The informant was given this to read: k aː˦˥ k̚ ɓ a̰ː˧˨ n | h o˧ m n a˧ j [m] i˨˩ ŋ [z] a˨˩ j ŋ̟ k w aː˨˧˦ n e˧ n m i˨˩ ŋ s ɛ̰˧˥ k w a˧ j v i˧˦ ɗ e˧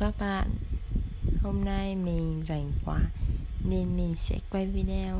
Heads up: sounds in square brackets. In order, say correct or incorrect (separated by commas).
correct, correct